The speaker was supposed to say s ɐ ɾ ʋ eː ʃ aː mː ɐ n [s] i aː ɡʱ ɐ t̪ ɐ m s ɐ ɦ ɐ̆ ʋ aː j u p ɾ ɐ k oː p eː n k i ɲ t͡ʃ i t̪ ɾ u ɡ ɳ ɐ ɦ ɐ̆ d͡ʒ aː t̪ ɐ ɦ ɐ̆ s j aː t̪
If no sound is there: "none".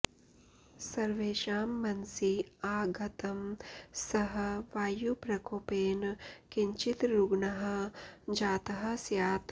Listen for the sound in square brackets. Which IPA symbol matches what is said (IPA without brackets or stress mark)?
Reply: s